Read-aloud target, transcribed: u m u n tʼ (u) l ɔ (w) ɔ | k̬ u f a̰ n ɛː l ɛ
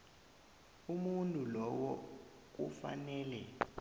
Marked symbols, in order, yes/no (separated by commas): yes, yes